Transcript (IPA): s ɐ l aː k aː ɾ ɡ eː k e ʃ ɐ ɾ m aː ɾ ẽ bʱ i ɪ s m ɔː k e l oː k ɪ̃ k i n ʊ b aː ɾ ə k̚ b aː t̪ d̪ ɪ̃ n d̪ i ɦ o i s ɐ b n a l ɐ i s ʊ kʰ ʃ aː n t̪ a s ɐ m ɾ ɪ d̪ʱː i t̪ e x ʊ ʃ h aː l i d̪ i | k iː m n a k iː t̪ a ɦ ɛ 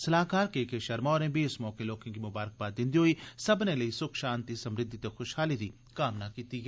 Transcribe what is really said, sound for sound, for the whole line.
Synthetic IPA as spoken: s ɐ l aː k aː ɾ k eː k e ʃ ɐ ɾ m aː ɾ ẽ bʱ i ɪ s m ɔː k e l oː k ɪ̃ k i m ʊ b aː ɾ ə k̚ b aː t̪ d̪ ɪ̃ n d̪ i ɦ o i s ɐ b n e l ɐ i s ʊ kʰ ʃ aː n t̪ i s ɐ m ɾ ɪ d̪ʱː i t̪ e x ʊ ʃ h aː l i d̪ i | k aː m n a k iː t̪ i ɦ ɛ